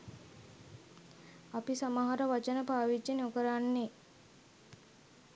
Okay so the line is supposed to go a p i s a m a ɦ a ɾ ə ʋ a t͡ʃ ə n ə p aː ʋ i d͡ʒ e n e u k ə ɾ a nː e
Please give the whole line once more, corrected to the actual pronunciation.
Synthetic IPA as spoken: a p i s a m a ɦ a ɾ ə ʋ a t͡ʃ ə n ə p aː ʋ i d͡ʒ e n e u k ə ɾ a nː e